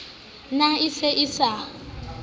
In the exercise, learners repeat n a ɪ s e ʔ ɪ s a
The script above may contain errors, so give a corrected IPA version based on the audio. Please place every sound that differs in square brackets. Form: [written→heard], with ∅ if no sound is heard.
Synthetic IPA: n a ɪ s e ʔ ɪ s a